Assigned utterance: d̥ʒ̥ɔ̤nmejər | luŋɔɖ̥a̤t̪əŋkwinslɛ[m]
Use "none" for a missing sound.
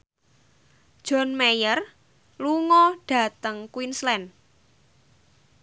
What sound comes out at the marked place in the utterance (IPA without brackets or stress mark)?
n